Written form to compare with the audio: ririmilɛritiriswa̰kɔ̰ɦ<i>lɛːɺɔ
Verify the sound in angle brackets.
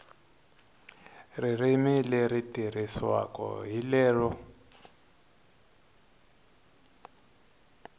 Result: correct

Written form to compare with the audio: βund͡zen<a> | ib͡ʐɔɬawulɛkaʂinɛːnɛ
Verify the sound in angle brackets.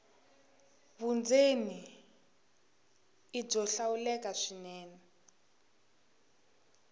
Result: incorrect: i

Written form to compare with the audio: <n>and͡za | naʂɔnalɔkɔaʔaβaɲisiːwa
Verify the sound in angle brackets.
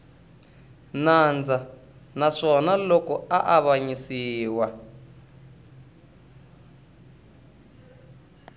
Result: correct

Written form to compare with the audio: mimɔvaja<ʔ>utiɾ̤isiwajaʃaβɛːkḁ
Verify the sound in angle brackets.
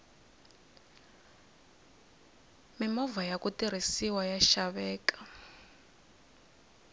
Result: incorrect: k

